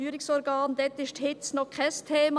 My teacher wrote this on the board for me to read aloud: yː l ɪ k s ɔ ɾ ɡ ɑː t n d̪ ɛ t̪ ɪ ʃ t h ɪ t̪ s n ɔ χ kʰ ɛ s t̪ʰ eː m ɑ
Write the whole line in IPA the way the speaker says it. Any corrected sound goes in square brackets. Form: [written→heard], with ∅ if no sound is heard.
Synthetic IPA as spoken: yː [l→ɾ] ɪ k s ɔ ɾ ɡ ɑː [t→∅] n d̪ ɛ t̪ ɪ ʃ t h ɪ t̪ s n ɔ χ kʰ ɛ s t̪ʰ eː m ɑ